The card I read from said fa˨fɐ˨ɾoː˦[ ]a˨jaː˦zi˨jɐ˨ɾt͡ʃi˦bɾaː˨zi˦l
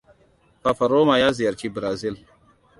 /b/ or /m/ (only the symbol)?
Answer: m